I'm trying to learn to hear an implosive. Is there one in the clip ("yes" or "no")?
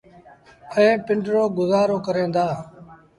no